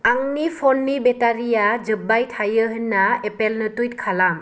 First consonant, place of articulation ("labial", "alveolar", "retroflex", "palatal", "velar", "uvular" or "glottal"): velar